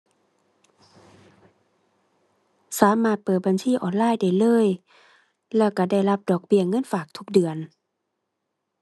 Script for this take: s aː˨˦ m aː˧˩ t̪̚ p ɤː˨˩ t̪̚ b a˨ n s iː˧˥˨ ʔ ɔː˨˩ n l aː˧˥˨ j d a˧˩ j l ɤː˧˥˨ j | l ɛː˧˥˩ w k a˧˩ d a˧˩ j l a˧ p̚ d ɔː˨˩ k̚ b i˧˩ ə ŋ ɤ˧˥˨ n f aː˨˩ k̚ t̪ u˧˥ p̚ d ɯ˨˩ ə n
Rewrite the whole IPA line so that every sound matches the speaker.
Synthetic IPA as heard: s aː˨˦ m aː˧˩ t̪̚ p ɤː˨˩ t̪̚ b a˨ n s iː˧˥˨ ʔ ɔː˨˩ n l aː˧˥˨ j d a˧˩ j l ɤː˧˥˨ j | l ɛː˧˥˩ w k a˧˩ d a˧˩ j l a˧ p̚ d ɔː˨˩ k̚ b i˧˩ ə ŋ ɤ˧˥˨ n f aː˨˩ k̚ t̪ʰ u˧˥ k̚ d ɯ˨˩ ə n